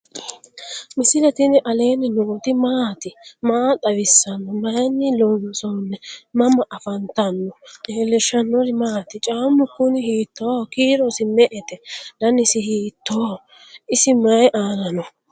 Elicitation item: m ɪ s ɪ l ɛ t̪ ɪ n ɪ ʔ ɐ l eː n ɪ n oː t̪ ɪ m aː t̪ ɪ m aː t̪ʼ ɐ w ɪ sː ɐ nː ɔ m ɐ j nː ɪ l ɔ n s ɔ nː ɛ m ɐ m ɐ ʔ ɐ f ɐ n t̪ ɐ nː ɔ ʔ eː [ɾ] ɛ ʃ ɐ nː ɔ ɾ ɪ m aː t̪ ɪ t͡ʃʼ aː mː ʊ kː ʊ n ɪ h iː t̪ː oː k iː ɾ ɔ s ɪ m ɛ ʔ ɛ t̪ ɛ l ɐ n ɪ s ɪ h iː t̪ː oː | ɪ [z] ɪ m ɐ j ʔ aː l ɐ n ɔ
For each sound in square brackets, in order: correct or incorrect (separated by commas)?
incorrect, incorrect